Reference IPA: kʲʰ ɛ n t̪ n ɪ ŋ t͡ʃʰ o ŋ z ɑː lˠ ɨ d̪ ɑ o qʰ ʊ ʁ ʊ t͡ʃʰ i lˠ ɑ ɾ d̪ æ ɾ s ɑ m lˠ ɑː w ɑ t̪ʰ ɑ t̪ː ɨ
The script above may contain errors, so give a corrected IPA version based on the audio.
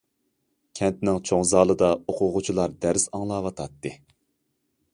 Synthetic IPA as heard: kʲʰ ɛ n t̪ n ɪ ŋ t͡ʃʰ o ŋ z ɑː lˠ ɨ d̪ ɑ o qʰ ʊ ʁ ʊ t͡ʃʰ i lˠ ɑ ɾ d̪ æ ɾ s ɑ ŋ lˠ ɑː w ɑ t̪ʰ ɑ t̪ː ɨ